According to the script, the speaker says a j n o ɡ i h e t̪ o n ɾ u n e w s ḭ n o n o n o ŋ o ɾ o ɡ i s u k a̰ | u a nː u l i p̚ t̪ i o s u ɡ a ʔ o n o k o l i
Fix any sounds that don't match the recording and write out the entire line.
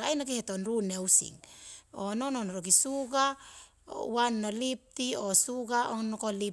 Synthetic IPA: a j n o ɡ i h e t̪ o n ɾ u n e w s ḭ ŋ o n o n o n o ɾ o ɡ i s u ɡ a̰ | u a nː o l i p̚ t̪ i o s u ɡ a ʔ o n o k o l i